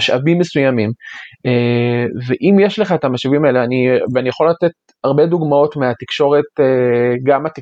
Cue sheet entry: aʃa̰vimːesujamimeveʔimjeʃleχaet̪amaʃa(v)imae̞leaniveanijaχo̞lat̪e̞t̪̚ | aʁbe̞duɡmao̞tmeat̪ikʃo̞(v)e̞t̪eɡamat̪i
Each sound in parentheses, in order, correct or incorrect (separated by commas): correct, incorrect